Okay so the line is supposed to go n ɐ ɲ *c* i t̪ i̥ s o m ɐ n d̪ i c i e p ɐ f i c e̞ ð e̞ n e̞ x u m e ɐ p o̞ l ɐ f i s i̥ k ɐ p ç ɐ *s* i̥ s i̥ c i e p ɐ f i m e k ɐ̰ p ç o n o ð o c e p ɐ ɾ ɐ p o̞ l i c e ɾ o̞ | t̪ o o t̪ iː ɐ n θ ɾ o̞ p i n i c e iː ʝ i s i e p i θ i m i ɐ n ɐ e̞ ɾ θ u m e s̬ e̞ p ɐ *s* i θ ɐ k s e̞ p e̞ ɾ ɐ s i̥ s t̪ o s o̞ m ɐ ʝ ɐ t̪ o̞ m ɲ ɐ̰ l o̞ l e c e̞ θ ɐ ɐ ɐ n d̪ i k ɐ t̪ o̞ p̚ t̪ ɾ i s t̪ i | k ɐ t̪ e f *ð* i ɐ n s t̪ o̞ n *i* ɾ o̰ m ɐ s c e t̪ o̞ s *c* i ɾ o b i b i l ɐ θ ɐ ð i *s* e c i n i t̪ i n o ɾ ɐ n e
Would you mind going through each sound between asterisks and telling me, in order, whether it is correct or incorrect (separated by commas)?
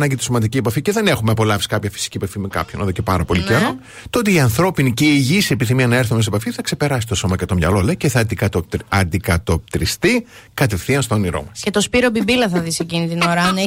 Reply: incorrect, incorrect, incorrect, incorrect, correct, incorrect, correct